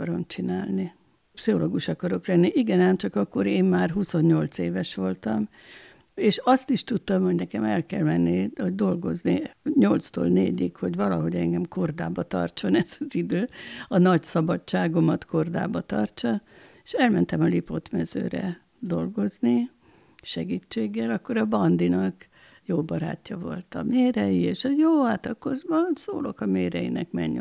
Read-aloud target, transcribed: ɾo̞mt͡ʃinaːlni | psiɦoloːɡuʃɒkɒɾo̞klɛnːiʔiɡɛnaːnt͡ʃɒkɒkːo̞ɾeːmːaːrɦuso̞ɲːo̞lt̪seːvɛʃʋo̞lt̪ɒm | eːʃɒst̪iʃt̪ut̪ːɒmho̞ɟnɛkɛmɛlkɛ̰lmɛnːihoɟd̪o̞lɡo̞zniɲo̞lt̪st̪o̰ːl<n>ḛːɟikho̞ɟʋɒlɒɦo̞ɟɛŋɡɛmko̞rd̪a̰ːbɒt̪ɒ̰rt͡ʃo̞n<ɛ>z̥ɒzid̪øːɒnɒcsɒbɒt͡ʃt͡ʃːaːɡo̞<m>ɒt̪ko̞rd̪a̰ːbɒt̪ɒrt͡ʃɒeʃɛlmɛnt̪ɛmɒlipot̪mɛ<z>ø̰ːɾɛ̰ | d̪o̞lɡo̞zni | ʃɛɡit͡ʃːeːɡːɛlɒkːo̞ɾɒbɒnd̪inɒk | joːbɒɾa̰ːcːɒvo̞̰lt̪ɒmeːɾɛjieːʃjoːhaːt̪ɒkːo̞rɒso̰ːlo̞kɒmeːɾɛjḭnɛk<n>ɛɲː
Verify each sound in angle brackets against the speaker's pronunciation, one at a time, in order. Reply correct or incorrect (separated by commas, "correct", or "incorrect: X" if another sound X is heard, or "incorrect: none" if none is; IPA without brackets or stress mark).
correct, correct, correct, correct, incorrect: m